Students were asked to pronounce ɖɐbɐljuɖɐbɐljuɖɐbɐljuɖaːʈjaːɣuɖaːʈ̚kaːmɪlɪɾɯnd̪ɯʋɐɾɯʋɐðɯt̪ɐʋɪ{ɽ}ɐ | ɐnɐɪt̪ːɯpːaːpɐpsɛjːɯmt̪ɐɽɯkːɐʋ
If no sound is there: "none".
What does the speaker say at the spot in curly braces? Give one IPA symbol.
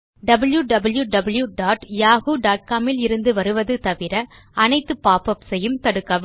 ɾ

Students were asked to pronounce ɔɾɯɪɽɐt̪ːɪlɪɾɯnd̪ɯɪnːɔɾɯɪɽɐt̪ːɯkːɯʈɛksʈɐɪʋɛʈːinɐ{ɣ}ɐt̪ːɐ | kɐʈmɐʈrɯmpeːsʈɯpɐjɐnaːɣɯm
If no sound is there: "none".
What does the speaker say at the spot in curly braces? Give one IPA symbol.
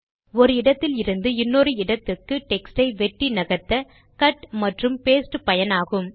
ɣ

